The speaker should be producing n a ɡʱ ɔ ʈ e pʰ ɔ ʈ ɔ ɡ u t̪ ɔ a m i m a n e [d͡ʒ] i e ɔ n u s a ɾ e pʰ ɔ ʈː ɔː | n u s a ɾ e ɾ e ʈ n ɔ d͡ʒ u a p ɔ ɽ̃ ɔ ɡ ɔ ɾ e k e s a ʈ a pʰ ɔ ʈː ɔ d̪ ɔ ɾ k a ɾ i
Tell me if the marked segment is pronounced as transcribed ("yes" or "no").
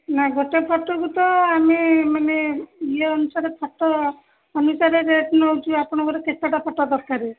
no